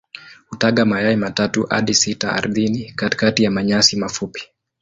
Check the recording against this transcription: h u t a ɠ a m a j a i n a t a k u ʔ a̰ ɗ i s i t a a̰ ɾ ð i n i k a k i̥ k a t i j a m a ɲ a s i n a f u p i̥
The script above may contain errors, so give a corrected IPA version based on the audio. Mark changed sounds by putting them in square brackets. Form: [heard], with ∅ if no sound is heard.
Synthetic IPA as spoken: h u t a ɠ a m a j a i [m] a t a [t] u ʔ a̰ ɗ i s i t a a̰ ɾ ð i n i k a [t] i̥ k a t i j a m a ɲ a s i [m] a f u p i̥